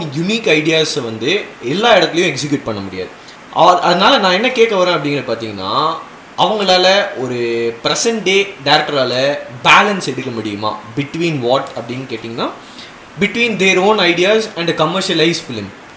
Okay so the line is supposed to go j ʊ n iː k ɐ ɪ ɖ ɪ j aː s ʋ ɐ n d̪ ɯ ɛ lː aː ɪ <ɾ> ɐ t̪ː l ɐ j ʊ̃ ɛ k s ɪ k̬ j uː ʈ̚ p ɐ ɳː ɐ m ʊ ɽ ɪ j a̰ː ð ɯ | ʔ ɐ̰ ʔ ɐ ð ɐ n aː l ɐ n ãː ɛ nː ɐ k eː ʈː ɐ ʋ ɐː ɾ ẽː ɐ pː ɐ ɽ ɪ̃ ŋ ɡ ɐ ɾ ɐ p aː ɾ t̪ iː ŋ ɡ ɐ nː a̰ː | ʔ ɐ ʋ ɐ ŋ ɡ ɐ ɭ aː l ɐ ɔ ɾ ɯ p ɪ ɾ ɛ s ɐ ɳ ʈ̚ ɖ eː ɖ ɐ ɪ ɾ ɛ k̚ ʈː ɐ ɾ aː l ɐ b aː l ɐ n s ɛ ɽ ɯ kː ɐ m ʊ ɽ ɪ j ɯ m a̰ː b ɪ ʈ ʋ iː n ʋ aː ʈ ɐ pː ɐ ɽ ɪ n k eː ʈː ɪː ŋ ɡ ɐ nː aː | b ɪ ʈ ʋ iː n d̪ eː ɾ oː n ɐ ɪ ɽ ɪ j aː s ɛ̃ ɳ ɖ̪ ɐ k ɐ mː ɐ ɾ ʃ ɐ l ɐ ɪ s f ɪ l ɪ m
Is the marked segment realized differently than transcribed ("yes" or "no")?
yes